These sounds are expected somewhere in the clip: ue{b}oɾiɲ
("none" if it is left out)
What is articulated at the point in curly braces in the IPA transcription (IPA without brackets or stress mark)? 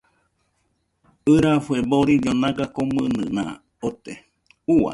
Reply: b